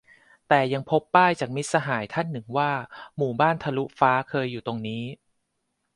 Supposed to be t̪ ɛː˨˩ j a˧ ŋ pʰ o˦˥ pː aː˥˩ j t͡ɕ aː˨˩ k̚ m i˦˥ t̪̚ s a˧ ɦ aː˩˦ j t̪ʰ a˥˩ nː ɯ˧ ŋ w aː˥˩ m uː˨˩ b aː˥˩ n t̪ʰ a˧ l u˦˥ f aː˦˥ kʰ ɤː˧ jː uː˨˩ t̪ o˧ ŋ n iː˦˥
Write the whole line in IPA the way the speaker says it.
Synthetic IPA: t̪ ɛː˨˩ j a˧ ŋ pʰ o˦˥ pː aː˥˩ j t͡ɕ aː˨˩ k̚ m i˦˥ t̪̚ s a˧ ɦ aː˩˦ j t̪ʰ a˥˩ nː ɯ˨˩ ŋ w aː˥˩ m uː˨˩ b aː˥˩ n t̪ʰ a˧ l u˦˥ f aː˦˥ kʰ ɤː˧ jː uː˨˩ t̪ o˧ ŋ n iː˦˥